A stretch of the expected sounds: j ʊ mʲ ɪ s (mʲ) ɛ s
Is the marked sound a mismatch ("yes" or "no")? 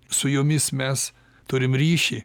no